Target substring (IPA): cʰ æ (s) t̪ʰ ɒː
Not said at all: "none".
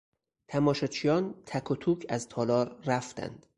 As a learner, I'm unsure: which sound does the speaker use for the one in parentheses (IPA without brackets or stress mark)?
z